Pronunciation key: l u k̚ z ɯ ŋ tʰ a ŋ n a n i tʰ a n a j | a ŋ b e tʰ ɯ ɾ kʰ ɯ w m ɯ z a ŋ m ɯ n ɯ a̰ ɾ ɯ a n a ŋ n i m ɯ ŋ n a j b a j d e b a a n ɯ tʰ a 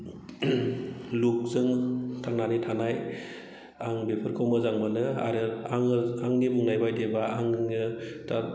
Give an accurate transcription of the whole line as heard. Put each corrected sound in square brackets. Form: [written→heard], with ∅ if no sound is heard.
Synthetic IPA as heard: l u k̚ z ɯ ŋ tʰ a ŋ n a n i tʰ a n a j | a ŋ b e [tʰ→pʰ] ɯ ɾ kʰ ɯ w m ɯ z a ŋ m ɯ n ɯ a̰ ɾ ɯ a [n→ŋ] a ŋ n i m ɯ ŋ n a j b a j d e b a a [n→ŋ] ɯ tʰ a